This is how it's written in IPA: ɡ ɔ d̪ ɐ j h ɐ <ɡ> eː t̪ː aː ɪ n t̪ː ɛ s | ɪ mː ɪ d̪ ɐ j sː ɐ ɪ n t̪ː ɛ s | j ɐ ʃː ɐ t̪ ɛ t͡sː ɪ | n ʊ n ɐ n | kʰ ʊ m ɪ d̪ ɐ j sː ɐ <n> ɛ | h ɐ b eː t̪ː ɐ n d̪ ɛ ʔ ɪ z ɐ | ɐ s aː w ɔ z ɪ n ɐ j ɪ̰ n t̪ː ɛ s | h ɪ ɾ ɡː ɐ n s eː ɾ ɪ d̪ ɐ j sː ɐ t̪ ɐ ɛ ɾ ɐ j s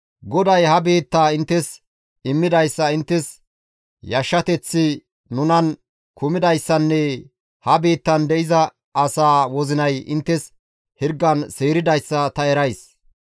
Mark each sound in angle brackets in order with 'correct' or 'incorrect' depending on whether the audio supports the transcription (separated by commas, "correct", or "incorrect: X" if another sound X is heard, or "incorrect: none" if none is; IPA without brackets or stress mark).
incorrect: b, incorrect: nː